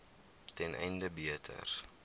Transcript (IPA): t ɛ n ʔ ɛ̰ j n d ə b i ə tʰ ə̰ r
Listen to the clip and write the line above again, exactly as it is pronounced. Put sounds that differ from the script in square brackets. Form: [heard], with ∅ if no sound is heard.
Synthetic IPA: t ɛ n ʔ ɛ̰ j n d ə b i ə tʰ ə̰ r